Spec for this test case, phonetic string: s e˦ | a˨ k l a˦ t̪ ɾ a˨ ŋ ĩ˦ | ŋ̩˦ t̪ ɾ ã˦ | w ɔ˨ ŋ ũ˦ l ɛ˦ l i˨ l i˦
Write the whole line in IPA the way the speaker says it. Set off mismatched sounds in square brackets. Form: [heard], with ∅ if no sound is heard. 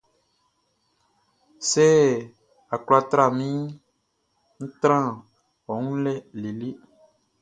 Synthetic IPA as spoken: s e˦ | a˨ k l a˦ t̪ ɾ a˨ [m] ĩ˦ | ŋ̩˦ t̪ ɾ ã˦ | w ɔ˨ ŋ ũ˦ l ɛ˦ l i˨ l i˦